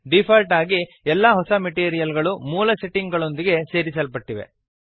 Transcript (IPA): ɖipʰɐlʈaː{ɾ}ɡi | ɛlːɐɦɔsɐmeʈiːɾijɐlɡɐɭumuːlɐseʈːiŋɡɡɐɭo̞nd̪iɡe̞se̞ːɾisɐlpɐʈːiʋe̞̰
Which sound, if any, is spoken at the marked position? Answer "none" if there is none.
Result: none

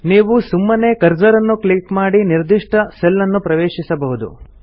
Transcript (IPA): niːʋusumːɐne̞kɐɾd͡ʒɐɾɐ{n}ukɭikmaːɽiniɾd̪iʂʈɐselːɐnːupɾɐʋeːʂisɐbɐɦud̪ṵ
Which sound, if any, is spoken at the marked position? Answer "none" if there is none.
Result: nː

